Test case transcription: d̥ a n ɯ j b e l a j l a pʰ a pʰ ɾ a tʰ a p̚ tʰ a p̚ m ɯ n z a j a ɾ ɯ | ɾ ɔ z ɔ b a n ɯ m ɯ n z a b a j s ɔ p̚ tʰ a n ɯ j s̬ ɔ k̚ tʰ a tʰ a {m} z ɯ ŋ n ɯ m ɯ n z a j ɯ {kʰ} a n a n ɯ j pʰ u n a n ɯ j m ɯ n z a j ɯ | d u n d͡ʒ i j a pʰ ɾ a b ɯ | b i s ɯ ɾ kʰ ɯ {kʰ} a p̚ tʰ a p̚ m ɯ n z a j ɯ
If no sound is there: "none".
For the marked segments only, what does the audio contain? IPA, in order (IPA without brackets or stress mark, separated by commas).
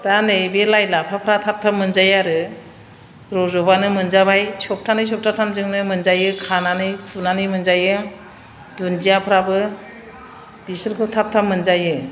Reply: m, kʰ, tʰ